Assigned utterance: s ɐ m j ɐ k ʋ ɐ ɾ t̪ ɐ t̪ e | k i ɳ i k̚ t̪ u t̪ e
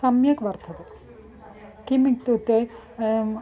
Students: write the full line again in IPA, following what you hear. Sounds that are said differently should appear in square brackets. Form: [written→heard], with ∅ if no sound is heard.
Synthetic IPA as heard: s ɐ m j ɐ k ʋ ɐ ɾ [t̪→t̪ʰ] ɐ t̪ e | k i [ɳ→m] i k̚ t̪ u t̪ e